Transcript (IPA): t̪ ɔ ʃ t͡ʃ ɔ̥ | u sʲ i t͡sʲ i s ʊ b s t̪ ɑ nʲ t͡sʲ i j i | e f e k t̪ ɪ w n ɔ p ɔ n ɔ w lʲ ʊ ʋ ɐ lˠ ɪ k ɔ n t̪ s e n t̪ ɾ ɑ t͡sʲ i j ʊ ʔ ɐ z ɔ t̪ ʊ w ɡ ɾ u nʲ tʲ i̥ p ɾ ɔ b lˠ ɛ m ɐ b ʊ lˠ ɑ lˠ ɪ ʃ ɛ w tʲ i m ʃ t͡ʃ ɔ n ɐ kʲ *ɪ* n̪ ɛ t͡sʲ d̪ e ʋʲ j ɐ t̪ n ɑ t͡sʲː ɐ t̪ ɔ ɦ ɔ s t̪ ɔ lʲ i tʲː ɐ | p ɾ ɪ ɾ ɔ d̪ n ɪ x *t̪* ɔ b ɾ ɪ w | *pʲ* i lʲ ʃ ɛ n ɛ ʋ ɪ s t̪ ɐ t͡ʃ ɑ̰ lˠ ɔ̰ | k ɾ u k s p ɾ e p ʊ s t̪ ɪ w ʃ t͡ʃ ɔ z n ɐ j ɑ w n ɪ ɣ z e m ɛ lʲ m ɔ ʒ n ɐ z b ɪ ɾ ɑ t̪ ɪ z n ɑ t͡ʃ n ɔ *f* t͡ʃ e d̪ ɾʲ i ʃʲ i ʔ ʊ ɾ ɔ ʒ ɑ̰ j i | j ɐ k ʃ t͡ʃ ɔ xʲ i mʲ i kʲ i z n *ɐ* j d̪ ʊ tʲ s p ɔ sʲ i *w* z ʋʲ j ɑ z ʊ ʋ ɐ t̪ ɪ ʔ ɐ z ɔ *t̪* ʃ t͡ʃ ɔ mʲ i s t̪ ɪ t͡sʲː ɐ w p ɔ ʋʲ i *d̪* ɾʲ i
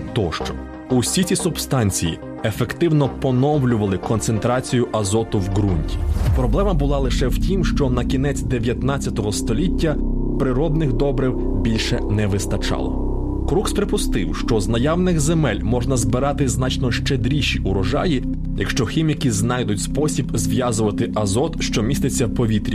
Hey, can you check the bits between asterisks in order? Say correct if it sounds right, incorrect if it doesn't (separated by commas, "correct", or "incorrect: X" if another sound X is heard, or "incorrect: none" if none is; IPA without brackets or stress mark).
incorrect: i, incorrect: d̪, incorrect: bʲ, incorrect: ʃ, incorrect: ɑ, incorrect: b, correct, incorrect: t̪